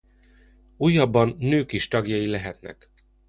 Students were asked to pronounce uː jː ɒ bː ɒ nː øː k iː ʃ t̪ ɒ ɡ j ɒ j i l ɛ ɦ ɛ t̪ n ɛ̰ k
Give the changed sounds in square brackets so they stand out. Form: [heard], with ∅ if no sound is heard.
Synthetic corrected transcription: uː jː ɒ bː ɒ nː øː k [i] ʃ t̪ ɒ ɡ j ɒ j i l ɛ ɦ ɛ t̪ n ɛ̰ k

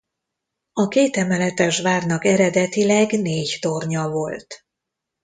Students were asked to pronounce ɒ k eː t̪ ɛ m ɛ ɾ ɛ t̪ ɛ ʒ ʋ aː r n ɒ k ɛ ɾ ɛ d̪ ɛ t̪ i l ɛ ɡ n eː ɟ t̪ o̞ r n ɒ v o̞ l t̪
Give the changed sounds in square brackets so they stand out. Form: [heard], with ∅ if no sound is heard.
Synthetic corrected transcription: ɒ k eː t̪ ɛ m ɛ [l] ɛ t̪ ɛ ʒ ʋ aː r n ɒ k ɛ ɾ ɛ d̪ ɛ t̪ i l ɛ ɡ n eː ɟ t̪ o̞ r [ɲ] ɒ v o̞ l t̪

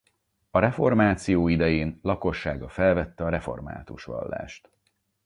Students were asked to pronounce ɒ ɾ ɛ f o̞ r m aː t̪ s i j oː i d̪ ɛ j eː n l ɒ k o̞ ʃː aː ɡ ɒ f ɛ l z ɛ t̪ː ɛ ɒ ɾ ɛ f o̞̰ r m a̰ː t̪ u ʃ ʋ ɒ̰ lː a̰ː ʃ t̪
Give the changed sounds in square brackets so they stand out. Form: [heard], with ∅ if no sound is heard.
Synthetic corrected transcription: ɒ ɾ ɛ f o̞ r m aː t̪ s i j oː i d̪ ɛ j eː n l ɒ k o̞ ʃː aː ɡ ɒ f ɛ l [v] ɛ t̪ː ɛ ɒ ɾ ɛ f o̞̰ r m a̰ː t̪ u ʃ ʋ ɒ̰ lː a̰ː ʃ t̪

